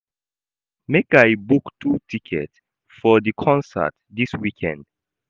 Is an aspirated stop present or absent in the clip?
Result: present